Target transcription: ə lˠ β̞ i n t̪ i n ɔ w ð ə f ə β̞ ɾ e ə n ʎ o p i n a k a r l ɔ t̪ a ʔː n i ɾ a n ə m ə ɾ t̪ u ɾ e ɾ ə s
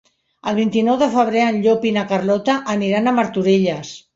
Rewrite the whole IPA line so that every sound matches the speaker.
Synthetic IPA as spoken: ə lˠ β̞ i n t̪ i n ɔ w ð ə f ə β̞ ɾ e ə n ʎ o p i n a k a r l ɔ t̪ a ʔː n i ɾ a n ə m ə ɾ t̪ u ɾ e ʎ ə s